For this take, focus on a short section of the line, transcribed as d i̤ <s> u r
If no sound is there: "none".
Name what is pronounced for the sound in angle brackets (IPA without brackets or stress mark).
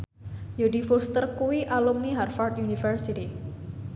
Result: f